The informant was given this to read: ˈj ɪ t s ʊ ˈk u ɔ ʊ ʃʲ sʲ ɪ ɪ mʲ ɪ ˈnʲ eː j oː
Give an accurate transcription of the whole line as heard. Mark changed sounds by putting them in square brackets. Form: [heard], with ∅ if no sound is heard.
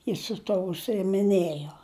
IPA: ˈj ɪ [s] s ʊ [ˈt] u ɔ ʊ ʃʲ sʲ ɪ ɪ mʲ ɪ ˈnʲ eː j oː